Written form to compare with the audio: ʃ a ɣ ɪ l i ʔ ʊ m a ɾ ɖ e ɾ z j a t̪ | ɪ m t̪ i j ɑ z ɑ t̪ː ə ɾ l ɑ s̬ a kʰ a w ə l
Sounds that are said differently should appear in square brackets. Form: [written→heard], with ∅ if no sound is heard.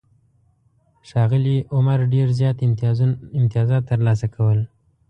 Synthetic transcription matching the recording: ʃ [a→ɑ] ɣ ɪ l i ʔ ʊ m a ɾ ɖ e ɾ z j [a→ɑ] t̪ | ɪ m t̪ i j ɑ z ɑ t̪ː ə ɾ l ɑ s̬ a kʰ a w ə l